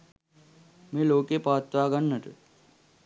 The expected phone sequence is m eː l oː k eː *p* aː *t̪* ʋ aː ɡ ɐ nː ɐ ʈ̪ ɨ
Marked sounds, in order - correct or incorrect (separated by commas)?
correct, correct